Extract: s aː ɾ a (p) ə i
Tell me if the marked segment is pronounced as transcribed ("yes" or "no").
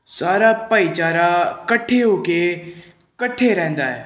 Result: yes